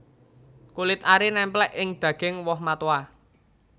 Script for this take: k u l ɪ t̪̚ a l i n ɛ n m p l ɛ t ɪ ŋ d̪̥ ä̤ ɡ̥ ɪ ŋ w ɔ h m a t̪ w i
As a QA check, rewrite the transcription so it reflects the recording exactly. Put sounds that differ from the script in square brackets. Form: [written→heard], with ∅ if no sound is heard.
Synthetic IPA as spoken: k u l ɪ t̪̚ a [l→ɾ] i n ɛ [n→∅] m p l ɛ [t→ʔ] ɪ ŋ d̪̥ ä̤ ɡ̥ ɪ ŋ w ɔ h m a t̪ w [i→a]